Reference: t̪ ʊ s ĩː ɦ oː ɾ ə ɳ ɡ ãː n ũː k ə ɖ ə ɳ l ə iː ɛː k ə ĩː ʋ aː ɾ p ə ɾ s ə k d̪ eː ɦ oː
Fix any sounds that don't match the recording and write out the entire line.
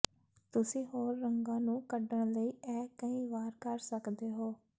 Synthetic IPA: t̪ ʊ s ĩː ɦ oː ɾː ə ŋ ɡ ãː n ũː k ə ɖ ə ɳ l ə iː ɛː k ə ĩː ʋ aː ɾ k ə ɾ s ə k d̪ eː ɦ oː